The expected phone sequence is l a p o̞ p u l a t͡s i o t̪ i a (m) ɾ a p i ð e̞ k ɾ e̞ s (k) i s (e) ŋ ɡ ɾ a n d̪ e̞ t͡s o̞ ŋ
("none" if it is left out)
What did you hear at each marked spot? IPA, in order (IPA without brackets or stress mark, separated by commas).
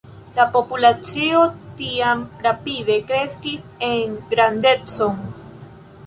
m, k, e